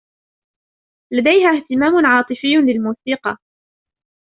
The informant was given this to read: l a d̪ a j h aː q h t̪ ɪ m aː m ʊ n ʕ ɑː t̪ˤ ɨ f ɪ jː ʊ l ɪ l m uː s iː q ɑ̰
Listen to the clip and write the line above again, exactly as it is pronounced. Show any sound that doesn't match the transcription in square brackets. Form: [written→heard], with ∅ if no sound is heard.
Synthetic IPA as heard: l a d̪ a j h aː [q→∅] h t̪ ɪ m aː m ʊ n ʕ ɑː t̪ˤ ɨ f ɪ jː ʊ l ɪ l m uː s iː q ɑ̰